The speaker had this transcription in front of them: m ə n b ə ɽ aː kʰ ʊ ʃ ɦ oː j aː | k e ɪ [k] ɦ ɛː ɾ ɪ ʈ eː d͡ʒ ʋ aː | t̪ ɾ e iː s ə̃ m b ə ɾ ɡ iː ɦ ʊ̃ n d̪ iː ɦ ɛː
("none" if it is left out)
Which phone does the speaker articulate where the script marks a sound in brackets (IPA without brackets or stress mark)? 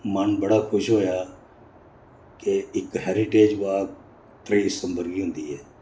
k